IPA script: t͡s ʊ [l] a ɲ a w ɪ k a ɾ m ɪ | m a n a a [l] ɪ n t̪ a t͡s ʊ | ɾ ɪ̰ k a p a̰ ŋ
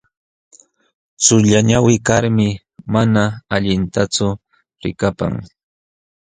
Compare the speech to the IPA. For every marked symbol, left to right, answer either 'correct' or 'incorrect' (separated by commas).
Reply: incorrect, incorrect